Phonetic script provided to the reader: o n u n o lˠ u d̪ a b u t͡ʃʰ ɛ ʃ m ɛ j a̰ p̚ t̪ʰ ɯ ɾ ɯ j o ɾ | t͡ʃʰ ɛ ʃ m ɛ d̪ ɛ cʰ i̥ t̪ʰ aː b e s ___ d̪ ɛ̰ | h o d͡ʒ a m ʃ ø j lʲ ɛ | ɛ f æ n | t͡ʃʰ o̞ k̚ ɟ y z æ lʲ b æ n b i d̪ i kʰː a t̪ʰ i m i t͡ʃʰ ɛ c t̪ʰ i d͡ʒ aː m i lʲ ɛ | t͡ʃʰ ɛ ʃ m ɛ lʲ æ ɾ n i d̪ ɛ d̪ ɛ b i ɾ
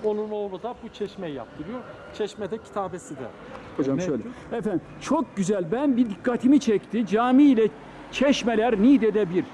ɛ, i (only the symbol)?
i